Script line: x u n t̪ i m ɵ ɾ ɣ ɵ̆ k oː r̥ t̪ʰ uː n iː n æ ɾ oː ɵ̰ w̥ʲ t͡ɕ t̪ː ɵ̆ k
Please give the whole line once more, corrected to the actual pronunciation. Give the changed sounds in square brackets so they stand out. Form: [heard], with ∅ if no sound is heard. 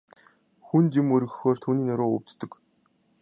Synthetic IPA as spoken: x u n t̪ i m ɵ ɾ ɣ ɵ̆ [x] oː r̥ t̪ʰ uː n iː n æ ɾ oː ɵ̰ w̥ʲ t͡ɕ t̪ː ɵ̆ k